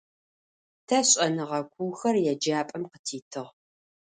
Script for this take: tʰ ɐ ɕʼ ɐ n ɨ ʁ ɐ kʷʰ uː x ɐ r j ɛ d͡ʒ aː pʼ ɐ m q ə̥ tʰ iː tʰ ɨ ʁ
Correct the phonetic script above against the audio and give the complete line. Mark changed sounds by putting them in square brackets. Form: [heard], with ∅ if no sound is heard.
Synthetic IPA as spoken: tʰ ɐ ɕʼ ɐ n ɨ ʁ ɐ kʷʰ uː x ɐ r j ɛ d͡ʒ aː pʼ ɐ m q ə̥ tʰ iː tʰ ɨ ʁ